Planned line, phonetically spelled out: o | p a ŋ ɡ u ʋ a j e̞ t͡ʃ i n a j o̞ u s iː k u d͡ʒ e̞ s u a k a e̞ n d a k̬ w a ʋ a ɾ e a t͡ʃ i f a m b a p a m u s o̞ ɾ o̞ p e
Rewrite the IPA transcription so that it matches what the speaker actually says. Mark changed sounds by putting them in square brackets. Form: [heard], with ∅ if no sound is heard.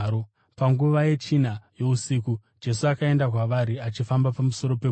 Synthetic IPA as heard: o | p a ŋ ɡ u ʋ a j e̞ t͡ʃ i n a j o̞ u s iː k u d͡ʒ e̞ s u a k a e̞ n d a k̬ w a ʋ a ɾ [i] a t͡ʃ i f a m b a p a m u s o̞ ɾ o̞ p e